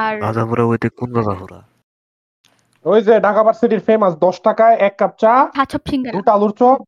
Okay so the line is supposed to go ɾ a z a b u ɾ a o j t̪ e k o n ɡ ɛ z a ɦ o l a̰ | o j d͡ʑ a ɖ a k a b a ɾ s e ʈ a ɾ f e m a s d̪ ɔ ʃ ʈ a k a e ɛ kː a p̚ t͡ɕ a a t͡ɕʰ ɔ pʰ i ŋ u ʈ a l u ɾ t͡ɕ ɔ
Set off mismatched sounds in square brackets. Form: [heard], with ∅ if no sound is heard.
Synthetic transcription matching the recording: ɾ a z a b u ɾ a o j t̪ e k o n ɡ [a] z a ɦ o [ɾ] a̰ | o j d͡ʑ [e] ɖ a k a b a ɾ s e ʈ [i] ɾ f e m a s d̪ ɔ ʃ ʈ a k a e ɛ kː a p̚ t͡ɕ a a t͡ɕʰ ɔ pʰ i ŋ u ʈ a l u ɾ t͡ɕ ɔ